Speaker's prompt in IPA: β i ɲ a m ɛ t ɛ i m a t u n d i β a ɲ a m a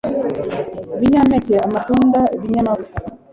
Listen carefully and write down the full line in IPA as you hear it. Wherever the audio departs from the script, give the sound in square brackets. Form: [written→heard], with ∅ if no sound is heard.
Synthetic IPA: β i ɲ a m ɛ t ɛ [i→a] m a t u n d [i→a] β [a→i] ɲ a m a